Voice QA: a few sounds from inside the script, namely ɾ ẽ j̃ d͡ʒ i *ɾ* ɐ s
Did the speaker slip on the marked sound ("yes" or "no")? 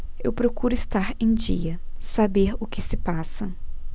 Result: yes